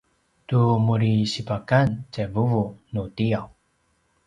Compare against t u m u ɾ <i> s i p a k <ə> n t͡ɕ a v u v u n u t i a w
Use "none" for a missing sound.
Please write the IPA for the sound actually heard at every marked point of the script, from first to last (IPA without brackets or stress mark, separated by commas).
i, a